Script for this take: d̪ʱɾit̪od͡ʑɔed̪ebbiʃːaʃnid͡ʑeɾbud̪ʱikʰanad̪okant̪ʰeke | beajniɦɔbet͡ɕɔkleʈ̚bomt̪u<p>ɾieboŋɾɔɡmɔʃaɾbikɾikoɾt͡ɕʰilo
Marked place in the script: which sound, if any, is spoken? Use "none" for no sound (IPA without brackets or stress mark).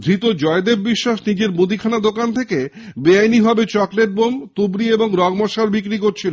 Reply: b